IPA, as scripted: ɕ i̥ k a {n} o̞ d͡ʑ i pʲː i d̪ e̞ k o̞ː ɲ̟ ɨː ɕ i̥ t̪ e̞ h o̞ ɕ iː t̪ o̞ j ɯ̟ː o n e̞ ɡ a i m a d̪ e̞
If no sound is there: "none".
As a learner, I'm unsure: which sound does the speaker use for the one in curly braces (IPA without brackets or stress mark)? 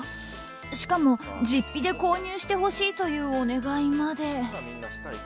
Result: m